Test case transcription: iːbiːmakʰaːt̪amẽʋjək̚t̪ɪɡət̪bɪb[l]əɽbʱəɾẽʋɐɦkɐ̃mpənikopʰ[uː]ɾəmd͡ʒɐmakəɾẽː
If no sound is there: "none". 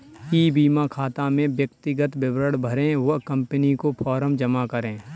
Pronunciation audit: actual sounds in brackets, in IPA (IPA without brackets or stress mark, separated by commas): ɾ, ɔː